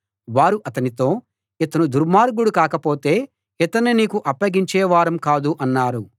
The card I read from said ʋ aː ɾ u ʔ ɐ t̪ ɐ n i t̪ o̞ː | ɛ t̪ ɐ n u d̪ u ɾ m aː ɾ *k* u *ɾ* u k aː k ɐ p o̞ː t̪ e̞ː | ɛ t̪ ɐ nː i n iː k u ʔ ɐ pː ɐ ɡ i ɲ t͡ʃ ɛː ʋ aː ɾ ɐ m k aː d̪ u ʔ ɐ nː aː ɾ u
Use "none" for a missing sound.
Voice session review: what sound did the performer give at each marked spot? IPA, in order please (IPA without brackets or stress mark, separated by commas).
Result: ɡ, ɽ